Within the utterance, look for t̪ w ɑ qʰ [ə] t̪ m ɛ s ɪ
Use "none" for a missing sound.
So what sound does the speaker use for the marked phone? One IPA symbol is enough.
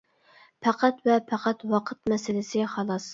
ə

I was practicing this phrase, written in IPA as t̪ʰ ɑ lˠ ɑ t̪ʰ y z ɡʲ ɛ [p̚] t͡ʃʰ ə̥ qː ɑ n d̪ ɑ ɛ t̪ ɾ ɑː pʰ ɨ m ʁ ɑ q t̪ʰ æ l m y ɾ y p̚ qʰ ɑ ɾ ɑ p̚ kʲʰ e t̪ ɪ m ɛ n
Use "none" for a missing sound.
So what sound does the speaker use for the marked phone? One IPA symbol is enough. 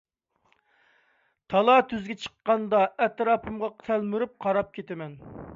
none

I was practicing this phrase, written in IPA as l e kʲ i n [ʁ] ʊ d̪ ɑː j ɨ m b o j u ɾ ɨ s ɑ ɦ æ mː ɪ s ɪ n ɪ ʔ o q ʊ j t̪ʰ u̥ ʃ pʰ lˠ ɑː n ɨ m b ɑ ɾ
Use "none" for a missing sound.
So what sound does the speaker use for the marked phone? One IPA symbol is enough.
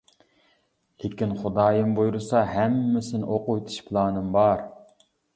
χ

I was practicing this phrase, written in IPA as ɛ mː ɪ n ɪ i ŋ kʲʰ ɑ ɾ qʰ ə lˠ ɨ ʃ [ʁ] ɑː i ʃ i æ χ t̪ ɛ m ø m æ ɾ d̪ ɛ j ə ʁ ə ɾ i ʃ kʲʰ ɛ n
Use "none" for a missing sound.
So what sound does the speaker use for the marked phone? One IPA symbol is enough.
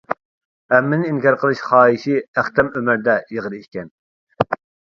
χ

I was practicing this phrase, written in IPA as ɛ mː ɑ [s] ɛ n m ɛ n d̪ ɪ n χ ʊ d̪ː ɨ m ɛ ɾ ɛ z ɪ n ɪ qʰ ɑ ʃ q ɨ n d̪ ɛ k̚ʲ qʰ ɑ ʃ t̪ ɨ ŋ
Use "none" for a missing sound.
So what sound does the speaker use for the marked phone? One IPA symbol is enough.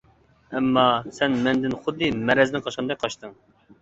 s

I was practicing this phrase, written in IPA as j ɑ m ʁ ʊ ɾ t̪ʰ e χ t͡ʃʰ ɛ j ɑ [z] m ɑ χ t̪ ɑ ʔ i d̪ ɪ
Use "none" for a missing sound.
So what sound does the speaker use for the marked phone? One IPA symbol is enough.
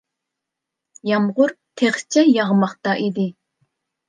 ʁ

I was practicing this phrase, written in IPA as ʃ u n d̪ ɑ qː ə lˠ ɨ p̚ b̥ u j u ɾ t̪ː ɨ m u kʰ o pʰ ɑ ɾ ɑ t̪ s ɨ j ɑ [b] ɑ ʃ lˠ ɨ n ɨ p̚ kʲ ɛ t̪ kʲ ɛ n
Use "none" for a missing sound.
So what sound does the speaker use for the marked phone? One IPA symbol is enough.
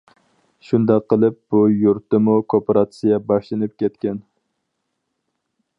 b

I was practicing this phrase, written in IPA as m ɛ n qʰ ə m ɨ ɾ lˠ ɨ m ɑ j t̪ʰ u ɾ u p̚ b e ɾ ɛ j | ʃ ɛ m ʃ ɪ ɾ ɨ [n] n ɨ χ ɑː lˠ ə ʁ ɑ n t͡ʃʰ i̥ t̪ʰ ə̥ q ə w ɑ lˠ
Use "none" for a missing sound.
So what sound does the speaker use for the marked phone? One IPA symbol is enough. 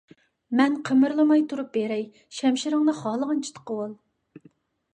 ŋ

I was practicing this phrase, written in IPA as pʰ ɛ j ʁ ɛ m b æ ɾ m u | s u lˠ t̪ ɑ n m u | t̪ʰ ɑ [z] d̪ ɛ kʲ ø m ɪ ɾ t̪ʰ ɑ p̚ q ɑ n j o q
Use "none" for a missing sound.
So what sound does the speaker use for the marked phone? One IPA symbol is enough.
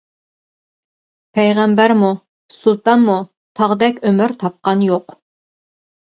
ʁ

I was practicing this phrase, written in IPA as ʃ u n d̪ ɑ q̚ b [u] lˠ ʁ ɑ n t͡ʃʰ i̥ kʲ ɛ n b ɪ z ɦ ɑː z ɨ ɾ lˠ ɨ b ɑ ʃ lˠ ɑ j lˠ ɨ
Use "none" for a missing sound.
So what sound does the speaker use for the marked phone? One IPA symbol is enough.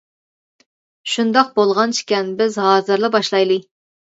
o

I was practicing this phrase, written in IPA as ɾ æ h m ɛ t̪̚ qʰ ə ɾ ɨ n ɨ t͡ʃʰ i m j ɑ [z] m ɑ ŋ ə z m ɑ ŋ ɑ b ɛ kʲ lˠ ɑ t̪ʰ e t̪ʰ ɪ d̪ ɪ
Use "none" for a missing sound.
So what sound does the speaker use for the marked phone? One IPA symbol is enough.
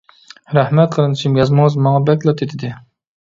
z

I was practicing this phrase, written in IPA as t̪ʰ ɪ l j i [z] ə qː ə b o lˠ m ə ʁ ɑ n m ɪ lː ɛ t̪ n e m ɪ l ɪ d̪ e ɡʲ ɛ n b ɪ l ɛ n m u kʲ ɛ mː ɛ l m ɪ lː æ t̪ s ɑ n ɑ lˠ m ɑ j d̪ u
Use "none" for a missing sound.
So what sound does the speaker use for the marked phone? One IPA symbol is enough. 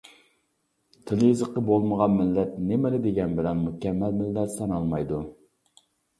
z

